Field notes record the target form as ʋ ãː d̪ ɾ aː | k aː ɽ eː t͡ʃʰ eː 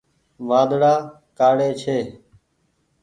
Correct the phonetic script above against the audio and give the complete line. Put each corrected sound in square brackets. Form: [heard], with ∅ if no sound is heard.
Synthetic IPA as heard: ʋ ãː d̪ [ɽ] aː | k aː ɽ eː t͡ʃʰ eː